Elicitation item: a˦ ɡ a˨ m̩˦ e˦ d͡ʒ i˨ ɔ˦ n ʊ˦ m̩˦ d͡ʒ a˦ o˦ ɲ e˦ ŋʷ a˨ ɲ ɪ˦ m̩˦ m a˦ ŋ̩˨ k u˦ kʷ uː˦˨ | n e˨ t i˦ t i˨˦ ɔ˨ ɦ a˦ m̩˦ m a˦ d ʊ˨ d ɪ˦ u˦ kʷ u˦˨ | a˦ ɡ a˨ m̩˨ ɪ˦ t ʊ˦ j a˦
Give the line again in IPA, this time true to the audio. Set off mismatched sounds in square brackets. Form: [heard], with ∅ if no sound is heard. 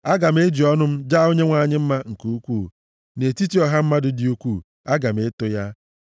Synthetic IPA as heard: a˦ ɡ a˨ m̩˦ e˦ d͡ʒ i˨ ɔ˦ n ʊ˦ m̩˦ d͡ʒ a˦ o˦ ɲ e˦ ŋʷ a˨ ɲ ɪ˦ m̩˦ m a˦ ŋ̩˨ k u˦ kʷ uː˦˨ | n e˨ t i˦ t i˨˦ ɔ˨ ɦ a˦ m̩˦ m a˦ d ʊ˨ d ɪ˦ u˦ kʷ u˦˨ | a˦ ɡ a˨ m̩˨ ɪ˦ t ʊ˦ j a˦

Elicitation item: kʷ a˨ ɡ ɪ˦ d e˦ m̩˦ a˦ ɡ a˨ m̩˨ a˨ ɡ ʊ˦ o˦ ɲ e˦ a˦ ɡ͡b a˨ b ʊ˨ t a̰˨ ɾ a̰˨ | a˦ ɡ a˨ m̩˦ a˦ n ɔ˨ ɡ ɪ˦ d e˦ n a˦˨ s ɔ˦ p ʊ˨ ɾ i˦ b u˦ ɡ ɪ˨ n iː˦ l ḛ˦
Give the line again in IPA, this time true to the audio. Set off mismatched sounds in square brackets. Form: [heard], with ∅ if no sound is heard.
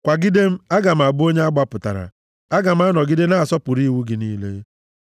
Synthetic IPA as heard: kʷ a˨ ɡ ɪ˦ d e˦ m̩˦ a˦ ɡ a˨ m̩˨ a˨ [b] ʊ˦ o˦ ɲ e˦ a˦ ɡ͡b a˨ [p] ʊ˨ t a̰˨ ɾ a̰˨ | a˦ ɡ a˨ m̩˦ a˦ n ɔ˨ ɡ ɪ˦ d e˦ n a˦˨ s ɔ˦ p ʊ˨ ɾ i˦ [w] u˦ ɡ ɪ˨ n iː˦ l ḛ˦

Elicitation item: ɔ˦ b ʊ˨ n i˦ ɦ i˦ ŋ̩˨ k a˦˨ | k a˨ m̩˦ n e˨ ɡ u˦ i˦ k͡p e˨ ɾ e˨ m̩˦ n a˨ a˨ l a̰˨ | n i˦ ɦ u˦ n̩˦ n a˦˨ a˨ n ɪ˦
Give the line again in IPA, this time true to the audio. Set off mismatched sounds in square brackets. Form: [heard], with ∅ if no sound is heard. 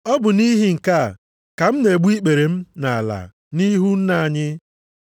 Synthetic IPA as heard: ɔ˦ b ʊ˨ n i˦ ɦ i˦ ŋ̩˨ k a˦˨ | k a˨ m̩˦ n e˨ [ɡ͡b] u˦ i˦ k͡p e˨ ɾ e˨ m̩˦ n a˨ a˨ l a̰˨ | n i˦ ɦ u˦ n̩˦ n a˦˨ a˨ [ɲ] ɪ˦

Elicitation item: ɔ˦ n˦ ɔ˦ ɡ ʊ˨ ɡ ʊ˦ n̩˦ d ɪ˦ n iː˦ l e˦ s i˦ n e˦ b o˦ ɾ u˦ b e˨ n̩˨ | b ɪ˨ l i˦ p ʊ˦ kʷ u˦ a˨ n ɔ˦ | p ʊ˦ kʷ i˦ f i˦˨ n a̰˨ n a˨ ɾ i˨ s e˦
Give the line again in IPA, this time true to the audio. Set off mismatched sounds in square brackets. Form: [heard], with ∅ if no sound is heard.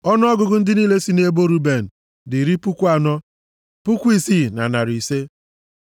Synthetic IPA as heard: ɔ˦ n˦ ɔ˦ ɡ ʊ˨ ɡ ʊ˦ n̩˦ d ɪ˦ n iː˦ l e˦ s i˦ n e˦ b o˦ ɾ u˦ b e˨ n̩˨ | [d] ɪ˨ [ɾ] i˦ p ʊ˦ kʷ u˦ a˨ n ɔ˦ | p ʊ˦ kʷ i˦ [s] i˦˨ n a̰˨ n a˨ ɾ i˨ s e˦

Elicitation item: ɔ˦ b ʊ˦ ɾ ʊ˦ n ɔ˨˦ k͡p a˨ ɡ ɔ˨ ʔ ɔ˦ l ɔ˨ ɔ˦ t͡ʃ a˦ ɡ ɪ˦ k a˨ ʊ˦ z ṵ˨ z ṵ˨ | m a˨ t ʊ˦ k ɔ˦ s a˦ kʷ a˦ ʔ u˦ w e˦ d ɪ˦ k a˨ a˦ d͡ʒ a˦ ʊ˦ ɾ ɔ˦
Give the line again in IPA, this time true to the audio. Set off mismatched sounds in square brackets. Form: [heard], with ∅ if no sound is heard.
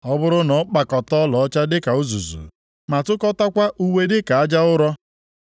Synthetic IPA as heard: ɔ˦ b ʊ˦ ɾ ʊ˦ n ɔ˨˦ k͡p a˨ [k] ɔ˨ [t] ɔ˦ l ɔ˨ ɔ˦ t͡ʃ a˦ [d] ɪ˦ k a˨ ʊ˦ z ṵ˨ z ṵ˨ | m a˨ t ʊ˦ k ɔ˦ [t] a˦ kʷ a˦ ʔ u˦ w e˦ d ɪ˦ k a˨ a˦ d͡ʒ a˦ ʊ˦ ɾ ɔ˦

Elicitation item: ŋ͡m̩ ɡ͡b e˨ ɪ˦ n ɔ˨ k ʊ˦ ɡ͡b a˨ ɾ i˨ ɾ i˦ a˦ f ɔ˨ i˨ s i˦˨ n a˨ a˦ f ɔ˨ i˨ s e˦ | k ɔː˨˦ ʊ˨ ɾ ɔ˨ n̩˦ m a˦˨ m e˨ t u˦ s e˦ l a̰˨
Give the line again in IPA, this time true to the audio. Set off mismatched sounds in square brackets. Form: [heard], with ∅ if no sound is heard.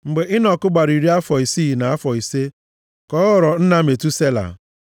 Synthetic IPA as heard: ŋ͡m̩ ɡ͡b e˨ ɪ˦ n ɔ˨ k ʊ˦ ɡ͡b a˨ ɾ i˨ ɾ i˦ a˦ f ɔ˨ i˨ s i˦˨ n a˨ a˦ f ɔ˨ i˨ s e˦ | k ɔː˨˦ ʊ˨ ɾ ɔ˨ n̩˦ [n] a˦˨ m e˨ t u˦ s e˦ l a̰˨

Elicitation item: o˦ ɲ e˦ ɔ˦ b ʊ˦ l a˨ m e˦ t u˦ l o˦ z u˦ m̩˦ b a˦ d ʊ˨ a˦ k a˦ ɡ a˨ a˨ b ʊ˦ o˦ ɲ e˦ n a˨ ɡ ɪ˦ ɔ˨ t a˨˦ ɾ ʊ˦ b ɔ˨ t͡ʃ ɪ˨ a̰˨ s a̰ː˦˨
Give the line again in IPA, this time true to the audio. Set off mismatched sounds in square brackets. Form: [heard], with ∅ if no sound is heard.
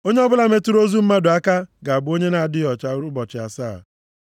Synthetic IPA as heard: o˦ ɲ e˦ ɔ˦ b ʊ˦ l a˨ m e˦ t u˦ [ɾ] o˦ z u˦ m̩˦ [m] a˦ d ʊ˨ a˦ k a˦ ɡ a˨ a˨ b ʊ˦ o˦ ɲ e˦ n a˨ [d] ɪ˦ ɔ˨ [t͡ʃ] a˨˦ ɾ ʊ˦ b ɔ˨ t͡ʃ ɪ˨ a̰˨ s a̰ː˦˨

